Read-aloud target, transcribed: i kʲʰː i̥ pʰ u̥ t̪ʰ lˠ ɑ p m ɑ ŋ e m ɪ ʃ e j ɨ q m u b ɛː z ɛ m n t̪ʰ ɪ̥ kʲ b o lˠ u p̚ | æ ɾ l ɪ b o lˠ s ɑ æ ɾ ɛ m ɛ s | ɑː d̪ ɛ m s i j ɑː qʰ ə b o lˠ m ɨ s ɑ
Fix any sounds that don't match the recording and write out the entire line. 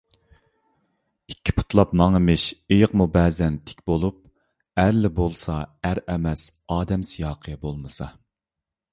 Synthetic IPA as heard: i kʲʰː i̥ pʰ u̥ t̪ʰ lˠ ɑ p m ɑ ŋ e m ɪ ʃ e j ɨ q m u b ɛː z ɛ n t̪ʰ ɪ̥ kʲ b o lˠ u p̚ | æ ɾ l ɪ b o lˠ s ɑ æ ɾ ɛ m ɛ s | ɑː d̪ ɛ m s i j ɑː qʰ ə b o lˠ m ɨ s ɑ